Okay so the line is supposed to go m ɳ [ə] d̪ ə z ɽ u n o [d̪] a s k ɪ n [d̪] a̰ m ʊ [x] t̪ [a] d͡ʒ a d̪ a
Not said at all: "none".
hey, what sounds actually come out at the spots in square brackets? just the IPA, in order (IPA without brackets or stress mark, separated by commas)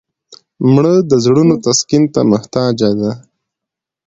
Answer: ə, t̪, t̪, h, ɑ